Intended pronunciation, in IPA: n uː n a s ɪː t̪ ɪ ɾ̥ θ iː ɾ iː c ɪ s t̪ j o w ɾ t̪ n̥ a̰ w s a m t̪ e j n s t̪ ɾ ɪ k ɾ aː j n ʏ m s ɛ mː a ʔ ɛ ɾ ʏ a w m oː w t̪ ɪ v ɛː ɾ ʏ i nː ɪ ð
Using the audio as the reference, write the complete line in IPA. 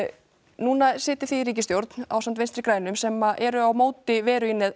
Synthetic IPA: n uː n a s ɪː t̪ ɪ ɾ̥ θ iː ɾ iː c ɪ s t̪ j o w ɾ t̪ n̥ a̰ w s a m t̪ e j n s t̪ ɾ ɪ k ɾ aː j n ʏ m s ɛ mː a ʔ ɛ ɾ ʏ a w m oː w t̪ ɪ v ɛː ɾ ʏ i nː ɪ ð